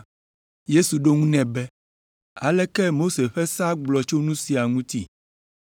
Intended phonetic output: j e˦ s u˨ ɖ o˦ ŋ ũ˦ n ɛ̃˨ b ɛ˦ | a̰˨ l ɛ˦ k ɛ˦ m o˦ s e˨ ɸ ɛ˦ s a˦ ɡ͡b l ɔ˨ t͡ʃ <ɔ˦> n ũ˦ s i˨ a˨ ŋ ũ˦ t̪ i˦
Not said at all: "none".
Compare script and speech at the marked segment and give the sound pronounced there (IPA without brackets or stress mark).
o˦